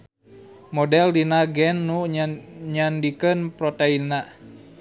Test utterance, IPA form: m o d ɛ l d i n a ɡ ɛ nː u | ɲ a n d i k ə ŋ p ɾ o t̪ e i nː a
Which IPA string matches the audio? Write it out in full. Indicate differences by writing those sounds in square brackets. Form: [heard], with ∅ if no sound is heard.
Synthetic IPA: m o d ɛ l d i n a ɡ ɛ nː u | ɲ a n d i k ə [n] p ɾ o t̪ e i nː a